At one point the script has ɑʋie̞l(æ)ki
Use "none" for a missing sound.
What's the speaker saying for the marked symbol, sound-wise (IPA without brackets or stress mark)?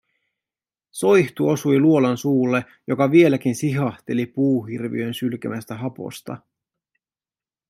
æ